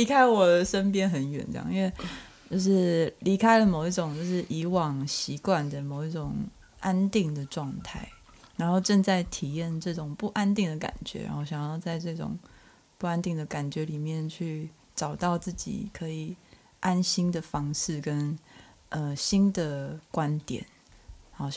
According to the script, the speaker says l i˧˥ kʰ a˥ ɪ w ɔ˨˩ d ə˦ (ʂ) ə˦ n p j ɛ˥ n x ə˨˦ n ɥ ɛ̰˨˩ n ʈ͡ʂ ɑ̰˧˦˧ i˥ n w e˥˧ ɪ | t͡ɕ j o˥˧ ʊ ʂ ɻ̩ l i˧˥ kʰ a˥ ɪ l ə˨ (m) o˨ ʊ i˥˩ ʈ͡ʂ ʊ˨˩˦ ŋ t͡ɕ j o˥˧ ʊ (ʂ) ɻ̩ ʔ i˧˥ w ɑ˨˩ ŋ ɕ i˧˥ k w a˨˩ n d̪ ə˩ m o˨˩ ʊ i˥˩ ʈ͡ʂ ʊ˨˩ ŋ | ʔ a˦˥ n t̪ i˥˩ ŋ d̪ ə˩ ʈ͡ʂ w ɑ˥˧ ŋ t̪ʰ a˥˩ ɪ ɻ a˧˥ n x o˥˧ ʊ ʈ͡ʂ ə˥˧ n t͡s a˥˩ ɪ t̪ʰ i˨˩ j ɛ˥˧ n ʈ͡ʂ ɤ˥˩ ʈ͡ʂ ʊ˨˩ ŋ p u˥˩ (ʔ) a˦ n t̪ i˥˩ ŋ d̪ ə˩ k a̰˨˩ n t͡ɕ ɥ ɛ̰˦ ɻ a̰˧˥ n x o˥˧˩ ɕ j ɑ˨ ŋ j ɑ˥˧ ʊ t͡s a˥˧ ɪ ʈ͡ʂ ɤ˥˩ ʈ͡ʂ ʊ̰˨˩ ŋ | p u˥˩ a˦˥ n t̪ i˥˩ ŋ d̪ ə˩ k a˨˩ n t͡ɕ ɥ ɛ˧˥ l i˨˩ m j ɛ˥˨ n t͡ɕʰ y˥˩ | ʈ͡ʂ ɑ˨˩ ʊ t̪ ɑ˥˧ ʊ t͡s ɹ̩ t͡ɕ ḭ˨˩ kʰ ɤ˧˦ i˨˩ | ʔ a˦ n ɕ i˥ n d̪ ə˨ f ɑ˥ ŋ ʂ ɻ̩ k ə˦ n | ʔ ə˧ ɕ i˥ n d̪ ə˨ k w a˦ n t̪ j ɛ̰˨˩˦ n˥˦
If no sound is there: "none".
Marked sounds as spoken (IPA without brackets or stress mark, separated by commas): ʂ, m, ʂ, ʔ